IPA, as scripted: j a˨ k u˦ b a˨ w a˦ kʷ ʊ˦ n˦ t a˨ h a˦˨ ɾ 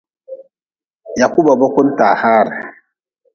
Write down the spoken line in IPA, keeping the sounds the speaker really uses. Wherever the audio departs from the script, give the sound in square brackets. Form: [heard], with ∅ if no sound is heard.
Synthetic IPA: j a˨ k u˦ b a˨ [b] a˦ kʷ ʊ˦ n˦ t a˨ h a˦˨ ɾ